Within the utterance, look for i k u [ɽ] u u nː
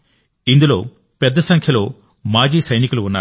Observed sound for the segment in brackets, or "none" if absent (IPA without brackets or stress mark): l